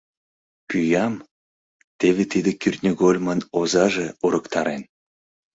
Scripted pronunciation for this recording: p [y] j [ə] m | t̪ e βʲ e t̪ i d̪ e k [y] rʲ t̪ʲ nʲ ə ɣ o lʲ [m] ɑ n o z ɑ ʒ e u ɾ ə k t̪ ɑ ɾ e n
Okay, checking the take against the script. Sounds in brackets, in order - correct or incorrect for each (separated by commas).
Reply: correct, incorrect, correct, correct